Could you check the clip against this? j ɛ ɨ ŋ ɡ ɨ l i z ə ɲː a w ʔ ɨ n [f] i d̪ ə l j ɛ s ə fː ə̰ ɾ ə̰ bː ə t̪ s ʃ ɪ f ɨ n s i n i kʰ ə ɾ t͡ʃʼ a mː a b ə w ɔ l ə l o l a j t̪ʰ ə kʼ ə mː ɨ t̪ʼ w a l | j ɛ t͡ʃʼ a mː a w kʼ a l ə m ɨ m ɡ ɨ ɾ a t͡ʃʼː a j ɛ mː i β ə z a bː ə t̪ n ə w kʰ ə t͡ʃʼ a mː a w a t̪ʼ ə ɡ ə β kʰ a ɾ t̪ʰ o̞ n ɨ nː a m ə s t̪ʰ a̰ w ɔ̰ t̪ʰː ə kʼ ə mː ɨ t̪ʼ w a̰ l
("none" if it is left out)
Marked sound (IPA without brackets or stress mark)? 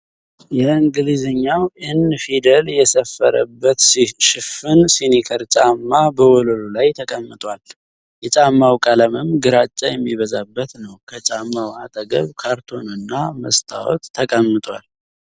f